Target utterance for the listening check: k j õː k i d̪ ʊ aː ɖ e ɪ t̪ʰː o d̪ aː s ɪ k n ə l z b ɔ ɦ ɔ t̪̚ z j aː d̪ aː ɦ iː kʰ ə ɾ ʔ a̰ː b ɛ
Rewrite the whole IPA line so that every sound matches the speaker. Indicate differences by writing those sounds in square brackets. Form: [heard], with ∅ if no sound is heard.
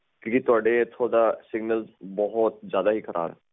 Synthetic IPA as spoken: k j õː k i [t̪] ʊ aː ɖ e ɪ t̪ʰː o d̪ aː s ɪ [ɡ] n ə l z b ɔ ɦ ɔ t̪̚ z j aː d̪ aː ɦ iː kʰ ə ɾ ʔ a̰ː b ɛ